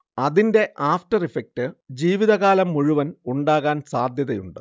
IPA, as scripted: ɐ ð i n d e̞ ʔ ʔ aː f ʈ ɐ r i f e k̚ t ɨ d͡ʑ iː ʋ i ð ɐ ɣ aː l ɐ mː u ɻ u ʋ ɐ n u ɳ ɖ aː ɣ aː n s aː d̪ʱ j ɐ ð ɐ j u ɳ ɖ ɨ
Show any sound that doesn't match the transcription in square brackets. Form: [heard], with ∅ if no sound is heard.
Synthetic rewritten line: ɐ ð i n d e̞ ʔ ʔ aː f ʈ ɐ r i f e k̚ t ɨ d͡ʑ iː ʋ i ð ɐ ɣ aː l ɐ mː u ɻ u ʋ ɐ n u ɳ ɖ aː ɣ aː n s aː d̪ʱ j ɐ ð ɐ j u ɳ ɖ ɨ